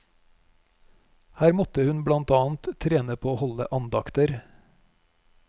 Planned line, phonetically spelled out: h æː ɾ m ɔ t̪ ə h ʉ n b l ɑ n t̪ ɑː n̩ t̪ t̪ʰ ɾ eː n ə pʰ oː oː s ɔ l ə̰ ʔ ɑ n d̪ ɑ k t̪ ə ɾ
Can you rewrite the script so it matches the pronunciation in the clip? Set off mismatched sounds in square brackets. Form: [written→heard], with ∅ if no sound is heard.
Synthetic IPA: h æː ɾ m ɔ t̪ ə h ʉ n b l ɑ n t̪ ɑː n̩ t̪ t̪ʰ ɾ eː n ə pʰ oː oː [s→h] ɔ l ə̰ ʔ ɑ n d̪ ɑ k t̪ ə ɾ